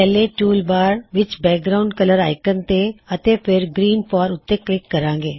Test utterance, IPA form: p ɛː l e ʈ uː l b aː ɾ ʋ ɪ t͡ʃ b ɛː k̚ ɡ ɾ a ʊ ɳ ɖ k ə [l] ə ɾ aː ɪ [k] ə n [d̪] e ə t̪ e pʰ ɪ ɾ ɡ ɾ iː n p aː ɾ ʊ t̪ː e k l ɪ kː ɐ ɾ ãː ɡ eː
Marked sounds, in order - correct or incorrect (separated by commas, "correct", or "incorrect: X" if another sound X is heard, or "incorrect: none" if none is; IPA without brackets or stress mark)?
correct, correct, incorrect: t̪